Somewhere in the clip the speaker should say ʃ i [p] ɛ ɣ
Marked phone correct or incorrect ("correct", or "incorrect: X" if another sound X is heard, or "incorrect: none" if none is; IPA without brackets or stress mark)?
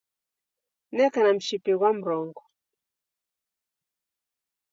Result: correct